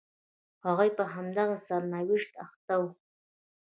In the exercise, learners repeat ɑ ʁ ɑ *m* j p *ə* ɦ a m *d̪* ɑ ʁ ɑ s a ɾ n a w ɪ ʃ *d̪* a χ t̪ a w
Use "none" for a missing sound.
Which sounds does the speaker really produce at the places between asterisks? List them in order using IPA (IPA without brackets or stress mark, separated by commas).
none, a, d̪, t̪